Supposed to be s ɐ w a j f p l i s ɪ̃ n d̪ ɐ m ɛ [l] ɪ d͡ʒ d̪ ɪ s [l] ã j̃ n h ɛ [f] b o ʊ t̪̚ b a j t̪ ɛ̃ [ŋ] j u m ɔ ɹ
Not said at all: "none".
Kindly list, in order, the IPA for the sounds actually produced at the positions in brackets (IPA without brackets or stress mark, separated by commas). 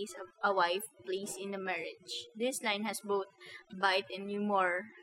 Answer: ɹ, l, s, n